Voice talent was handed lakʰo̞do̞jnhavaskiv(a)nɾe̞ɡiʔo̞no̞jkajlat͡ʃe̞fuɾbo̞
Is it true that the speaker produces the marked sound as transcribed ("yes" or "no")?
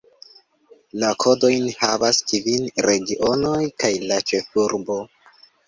no